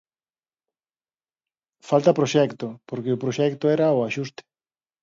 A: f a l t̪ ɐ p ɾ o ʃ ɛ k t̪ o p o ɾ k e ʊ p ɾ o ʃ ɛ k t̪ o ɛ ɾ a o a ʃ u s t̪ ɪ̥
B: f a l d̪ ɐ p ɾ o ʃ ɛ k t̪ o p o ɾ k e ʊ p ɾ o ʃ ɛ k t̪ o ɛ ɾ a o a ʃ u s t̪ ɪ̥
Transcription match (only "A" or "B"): A